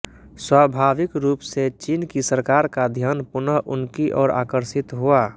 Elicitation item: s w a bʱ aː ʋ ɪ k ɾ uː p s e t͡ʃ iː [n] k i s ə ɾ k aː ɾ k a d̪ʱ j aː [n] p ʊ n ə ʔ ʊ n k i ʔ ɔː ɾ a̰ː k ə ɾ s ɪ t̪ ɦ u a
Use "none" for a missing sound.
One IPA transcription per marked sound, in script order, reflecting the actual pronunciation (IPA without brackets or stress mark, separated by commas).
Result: n, n